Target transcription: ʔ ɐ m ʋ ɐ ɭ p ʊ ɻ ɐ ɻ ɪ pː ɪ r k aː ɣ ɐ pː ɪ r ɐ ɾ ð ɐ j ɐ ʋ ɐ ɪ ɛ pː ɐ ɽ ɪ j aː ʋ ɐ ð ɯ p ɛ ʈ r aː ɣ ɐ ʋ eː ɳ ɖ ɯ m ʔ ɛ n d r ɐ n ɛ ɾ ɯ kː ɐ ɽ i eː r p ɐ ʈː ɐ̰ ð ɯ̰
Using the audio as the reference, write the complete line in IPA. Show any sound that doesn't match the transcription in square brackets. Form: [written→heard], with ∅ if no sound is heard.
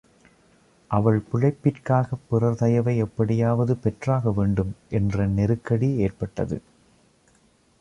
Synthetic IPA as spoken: ʔ ɐ [m→∅] ʋ ɐ ɭ p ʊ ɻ ɐ [ɻ→∅] ɪ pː ɪ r k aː ɣ ɐ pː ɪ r ɐ ɾ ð ɐ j ɐ ʋ ɐ ɪ ɛ pː ɐ ɽ ɪ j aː ʋ ɐ ð ɯ p ɛ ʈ r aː ɣ ɐ ʋ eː ɳ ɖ ɯ m ʔ ɛ n d r ɐ n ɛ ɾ ɯ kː ɐ ɽ i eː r p ɐ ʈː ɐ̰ ð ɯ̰